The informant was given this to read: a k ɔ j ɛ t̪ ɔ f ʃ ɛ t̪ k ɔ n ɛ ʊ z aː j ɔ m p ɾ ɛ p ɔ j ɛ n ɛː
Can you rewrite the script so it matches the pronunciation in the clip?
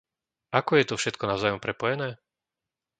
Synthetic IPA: a k ɔ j ɛ t̪ ɔ f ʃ ɛ t̪ k ɔ n a ʊ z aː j ɔ m p ɾ ɛ p ɔ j ɛ n ɛː